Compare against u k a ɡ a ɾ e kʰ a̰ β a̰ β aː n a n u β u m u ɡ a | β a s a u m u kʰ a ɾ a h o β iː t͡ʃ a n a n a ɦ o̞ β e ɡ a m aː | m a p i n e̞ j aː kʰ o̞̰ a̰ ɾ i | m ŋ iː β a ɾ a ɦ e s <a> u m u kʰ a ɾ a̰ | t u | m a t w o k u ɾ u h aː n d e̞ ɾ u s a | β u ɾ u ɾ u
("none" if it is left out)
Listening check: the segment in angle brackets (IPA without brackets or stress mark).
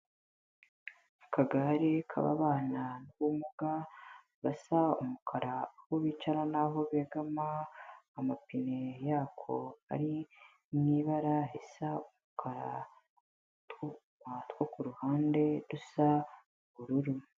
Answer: a